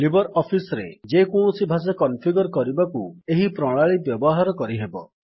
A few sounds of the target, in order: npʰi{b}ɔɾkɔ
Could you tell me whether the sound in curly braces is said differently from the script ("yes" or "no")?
yes